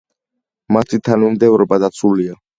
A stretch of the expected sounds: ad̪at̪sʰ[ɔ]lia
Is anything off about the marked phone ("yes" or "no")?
yes